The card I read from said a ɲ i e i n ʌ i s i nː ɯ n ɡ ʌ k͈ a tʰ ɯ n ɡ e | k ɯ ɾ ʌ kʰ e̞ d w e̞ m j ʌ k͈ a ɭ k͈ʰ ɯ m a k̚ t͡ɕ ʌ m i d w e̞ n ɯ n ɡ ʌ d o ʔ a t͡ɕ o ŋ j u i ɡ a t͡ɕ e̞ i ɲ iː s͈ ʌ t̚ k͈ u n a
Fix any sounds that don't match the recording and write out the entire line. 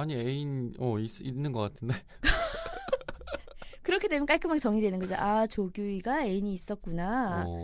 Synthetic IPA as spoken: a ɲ i e i n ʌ i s i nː ɯ n ɡ ʌ k͈ a tʰ ɯ n d e | k ɯ ɾ ʌ kʰ e̞ d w e̞ m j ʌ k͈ a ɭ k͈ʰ ɯ m a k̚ t͡ɕ ʌ ŋ i d w e̞ n ɯ n ɡ ʌ d͡ʑ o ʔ a t͡ɕ o ɡ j u i ɡ a e̞ i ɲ iː s͈ ʌ t̚ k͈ u n a